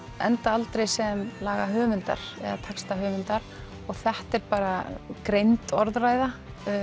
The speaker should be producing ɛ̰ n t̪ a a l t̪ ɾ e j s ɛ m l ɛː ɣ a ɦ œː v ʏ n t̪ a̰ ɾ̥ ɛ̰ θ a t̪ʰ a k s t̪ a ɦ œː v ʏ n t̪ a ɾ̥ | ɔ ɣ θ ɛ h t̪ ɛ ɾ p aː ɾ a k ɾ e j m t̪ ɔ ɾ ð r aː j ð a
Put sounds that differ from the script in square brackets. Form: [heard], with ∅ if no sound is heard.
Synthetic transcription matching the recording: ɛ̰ n t̪ a a l t̪ ɾ e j s ɛ m l [aː] ɣ a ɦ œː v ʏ n t̪ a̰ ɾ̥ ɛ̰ [ð] a t̪ʰ a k s t̪ a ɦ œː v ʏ n t̪ a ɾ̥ | ɔ ɣ θ ɛ h t̪ ɛ ɾ p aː ɾ a k ɾ e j [n] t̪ ɔ ɾ ð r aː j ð a